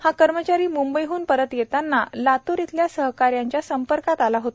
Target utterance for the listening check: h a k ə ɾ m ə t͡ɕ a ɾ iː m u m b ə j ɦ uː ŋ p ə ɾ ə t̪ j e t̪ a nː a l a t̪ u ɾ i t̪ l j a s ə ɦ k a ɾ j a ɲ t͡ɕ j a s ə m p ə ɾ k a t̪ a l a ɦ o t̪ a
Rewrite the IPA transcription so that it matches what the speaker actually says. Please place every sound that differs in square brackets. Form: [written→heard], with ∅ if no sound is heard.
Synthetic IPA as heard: h a k ə ɾ m ə t͡ɕ a ɾ iː m u m b ə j ɦ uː [ŋ→n] p ə ɾ ə t̪ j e t̪ a nː a l a t̪ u ɾ i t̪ l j a s ə ɦ k a ɾ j a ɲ t͡ɕ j a s ə m p ə ɾ k a t̪ a l a ɦ o t̪ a